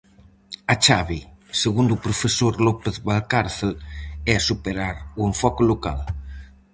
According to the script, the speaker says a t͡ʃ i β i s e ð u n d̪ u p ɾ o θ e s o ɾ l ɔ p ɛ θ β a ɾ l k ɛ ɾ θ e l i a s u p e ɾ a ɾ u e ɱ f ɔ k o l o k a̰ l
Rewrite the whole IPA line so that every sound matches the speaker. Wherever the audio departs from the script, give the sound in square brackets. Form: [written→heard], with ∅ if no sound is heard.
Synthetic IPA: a t͡ʃ [i→a] β i s e [ð→ɣ] u n d̪ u p ɾ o [θ→f] e s o ɾ l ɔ p [ɛ→e] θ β a [ɾ→∅] l k [ɛ→a] ɾ θ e l [i→ɛ] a s u p e ɾ a ɾ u e ɱ f ɔ k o l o k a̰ l